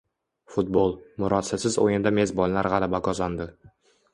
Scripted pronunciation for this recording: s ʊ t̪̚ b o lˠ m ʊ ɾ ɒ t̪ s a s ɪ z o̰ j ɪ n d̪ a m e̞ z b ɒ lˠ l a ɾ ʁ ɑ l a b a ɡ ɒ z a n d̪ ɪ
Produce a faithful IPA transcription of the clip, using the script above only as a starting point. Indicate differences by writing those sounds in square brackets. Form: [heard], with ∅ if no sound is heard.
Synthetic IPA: [f] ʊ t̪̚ b o lˠ m ʊ ɾ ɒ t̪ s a s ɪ z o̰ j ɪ n d̪ a m e̞ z b ɒ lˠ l a ɾ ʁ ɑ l a b a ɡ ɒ z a n d̪ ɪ